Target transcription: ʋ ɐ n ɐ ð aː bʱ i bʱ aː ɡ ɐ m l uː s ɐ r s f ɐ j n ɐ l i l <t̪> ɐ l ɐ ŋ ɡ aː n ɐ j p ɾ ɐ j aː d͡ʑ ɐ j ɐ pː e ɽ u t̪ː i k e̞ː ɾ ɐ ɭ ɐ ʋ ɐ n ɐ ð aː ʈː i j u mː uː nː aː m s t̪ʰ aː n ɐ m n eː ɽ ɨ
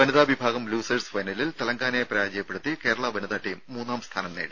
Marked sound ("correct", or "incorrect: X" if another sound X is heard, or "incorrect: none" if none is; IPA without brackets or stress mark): correct